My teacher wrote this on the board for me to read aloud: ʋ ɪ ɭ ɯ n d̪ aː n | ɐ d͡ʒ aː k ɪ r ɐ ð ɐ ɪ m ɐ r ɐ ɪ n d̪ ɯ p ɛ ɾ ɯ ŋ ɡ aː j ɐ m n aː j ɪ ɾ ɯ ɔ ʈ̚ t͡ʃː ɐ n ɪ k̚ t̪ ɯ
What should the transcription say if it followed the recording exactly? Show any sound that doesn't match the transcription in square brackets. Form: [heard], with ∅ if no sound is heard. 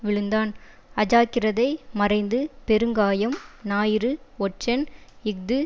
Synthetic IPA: ʋ ɪ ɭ ɯ n d̪ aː n | ɐ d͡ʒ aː k ɪ r ɐ ð ɐ ɪ m ɐ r ɐ ɪ n d̪ ɯ p ɛ ɾ ɯ ŋ ɡ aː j ɐ m n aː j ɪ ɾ ɯ ɔ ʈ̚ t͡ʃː ɐ n ɪ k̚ [d̪] ɯ